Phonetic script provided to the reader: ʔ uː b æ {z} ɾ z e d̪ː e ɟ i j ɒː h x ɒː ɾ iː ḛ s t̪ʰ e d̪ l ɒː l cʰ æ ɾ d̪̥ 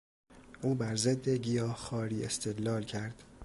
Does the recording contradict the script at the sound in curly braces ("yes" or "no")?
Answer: yes